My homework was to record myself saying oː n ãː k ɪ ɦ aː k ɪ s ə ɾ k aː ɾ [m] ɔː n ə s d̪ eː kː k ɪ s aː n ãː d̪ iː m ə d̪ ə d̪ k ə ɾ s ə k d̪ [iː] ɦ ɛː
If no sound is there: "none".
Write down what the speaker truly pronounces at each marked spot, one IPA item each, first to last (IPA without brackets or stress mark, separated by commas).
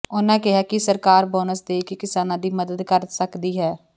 b, iː